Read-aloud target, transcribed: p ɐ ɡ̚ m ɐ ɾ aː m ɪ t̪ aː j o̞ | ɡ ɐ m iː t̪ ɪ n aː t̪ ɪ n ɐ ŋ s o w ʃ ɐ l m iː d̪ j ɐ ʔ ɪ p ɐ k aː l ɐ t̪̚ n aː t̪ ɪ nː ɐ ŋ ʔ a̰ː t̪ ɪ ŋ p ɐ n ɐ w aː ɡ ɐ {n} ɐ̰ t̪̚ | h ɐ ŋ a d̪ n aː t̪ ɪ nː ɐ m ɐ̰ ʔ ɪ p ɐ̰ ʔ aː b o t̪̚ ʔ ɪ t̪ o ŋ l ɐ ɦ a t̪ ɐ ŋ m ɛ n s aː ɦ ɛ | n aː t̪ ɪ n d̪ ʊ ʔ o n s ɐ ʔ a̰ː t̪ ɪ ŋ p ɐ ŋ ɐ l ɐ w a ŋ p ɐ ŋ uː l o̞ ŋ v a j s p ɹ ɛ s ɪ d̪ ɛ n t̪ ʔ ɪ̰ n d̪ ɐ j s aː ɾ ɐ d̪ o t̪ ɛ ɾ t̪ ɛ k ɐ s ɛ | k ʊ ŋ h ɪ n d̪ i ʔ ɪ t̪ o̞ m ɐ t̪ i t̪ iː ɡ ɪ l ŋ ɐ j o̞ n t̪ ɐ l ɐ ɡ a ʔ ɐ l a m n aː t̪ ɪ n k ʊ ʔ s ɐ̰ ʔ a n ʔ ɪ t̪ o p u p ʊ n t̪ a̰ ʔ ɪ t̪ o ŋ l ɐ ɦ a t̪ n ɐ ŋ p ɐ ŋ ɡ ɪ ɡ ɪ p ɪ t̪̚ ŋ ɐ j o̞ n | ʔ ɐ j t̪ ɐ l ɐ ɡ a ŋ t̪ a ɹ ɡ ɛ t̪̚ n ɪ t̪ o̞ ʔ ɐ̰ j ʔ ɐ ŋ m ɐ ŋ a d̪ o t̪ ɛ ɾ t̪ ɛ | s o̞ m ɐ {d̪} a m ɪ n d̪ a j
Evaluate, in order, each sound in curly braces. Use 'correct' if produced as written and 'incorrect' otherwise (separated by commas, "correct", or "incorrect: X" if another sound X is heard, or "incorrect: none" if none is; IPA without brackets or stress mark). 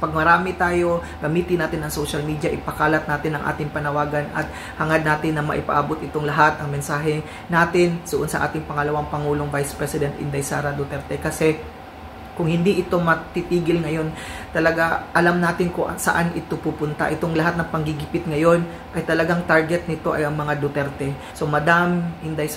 correct, correct